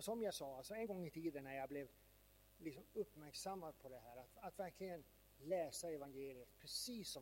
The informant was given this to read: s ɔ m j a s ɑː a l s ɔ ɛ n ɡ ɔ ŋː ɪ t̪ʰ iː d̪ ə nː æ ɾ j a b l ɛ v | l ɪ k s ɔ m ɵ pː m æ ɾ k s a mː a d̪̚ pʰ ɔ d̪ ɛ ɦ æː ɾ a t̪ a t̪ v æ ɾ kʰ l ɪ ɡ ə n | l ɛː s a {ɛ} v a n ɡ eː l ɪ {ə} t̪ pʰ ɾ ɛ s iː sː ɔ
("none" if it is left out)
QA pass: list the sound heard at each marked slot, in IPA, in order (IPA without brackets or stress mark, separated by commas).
ɛ, ə